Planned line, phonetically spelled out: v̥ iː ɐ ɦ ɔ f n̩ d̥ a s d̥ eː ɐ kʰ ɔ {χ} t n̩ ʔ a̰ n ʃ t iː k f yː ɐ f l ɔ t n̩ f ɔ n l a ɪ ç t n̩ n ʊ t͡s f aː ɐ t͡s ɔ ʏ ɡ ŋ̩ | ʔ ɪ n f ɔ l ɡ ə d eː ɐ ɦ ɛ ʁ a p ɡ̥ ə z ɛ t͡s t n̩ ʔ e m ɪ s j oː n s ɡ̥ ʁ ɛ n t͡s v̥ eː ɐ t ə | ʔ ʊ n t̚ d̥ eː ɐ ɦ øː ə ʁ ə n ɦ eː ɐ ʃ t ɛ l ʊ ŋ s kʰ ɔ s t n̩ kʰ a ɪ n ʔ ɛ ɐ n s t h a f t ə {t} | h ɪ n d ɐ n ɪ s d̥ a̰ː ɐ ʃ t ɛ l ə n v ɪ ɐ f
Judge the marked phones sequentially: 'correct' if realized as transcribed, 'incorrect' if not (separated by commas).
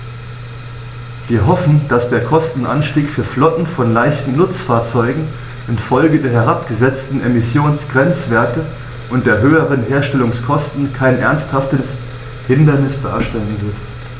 incorrect, incorrect